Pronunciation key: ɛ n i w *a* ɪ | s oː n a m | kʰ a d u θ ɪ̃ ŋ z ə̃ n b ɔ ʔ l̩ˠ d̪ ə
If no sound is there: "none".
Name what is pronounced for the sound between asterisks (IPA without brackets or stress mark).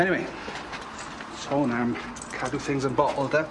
e